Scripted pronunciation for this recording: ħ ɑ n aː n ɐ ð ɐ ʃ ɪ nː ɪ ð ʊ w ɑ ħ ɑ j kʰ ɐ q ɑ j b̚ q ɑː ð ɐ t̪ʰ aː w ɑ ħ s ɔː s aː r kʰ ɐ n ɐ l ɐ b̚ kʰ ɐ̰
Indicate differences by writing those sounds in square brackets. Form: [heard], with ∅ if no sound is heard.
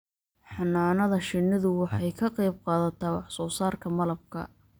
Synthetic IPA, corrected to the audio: ħ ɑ n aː n ɐ ð ɐ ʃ ɪ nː ɪ ð ʊ w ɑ ħ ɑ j kʰ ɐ q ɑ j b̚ q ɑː ð ɐ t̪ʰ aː w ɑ ħ s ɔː s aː r kʰ ɐ [m] ɐ l ɐ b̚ kʰ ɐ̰